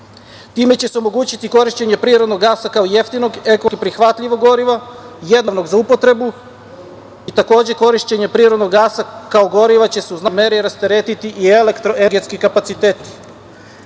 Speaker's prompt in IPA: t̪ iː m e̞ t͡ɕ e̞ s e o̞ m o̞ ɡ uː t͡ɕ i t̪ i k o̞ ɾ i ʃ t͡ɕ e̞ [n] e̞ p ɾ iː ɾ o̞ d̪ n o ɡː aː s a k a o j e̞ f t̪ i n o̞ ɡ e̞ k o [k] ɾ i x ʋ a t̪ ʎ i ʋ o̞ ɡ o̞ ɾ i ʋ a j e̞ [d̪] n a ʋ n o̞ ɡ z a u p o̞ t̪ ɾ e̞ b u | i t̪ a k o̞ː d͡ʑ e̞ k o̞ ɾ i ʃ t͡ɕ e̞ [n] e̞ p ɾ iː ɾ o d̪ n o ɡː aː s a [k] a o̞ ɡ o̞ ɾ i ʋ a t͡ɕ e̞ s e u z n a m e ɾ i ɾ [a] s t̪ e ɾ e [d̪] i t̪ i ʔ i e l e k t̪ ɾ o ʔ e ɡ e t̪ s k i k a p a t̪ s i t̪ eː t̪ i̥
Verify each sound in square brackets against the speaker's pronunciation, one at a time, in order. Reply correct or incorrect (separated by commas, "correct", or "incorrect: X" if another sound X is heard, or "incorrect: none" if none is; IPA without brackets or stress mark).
incorrect: ɲ, incorrect: p, correct, incorrect: ɲ, correct, correct, incorrect: t̪